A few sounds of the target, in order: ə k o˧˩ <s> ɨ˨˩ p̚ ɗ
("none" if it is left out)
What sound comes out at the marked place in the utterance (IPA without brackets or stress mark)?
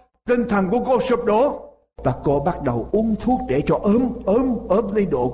s